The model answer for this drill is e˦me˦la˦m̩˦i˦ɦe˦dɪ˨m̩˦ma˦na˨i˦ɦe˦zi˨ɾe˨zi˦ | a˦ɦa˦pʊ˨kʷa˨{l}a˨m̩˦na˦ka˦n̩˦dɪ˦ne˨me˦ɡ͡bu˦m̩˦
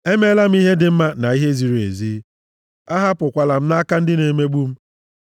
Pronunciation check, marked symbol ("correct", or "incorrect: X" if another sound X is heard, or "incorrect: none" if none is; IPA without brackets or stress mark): correct